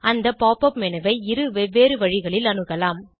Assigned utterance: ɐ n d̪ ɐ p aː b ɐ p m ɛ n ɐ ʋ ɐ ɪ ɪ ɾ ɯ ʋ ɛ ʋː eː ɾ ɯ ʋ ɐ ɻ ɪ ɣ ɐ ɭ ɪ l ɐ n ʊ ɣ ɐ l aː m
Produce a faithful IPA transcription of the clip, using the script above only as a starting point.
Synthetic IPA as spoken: ɐ n d̪ ɐ p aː p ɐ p m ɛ n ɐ ʋ ɐ ɪ ɪ ɾ ɯ ʋ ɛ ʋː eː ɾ ɯ ʋ ɐ ɻ ɪ ɣ ɐ ɭ ɪ l ɐ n ɯ ɣ ɐ l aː m